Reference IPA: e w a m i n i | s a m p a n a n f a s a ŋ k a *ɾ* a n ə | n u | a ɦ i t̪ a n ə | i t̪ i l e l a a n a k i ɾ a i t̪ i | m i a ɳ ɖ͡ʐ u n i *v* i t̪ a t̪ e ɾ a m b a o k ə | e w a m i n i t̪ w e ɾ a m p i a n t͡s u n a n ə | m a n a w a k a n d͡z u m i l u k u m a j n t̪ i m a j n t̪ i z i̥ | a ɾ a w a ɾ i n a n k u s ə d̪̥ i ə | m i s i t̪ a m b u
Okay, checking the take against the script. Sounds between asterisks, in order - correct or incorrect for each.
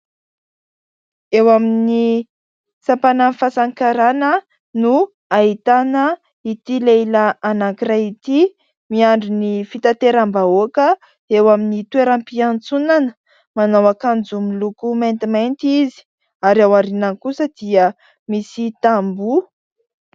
correct, incorrect: f

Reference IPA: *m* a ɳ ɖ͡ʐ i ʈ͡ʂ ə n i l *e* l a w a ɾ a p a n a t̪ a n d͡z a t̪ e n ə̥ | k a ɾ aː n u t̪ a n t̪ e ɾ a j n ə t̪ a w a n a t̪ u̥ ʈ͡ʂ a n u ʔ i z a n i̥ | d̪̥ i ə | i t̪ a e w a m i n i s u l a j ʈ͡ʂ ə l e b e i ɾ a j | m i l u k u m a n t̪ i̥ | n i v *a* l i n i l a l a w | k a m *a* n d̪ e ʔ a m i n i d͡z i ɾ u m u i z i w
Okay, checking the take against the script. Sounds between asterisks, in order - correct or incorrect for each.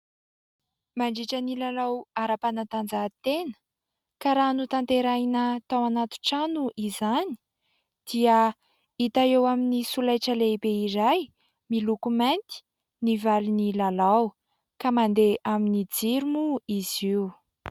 correct, incorrect: a, correct, correct

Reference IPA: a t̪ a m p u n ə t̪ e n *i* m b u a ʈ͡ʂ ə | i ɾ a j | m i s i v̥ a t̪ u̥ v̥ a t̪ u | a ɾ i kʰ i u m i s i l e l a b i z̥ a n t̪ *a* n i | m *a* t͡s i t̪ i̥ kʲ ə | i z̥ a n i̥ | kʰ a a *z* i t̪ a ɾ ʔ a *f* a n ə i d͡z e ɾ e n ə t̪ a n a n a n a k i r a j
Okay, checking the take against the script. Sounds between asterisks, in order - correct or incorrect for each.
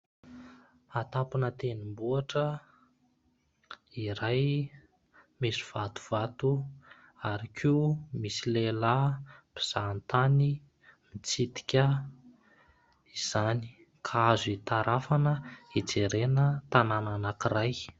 correct, correct, incorrect: i, correct, correct

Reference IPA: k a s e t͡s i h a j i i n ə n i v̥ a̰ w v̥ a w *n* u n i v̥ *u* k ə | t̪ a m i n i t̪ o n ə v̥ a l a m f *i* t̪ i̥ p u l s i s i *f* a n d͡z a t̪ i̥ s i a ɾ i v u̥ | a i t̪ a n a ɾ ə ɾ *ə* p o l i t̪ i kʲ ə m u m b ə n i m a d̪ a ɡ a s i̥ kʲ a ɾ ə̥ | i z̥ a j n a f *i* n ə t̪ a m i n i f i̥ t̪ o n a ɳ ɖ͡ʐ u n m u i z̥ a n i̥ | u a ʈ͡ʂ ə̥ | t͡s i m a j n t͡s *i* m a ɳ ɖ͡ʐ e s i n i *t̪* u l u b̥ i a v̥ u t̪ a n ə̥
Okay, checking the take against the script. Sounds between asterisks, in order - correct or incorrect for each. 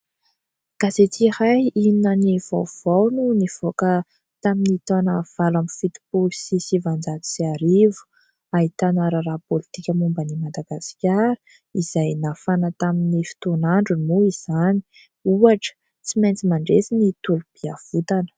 correct, incorrect: o, correct, incorrect: v, incorrect: a, incorrect: a, correct, correct

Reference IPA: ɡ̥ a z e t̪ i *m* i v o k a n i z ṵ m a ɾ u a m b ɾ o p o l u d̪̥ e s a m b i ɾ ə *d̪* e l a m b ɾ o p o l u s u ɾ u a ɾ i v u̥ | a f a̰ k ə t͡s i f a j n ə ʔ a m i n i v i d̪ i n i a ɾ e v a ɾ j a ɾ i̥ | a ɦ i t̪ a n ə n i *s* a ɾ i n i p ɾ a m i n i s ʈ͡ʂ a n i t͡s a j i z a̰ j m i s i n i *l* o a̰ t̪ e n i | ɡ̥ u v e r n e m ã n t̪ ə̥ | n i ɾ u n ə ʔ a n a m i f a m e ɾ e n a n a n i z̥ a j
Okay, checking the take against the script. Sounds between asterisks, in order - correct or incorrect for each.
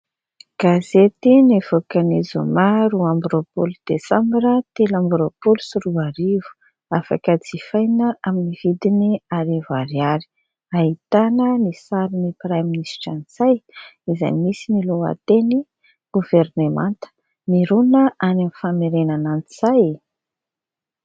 incorrect: n, incorrect: t̪, correct, correct

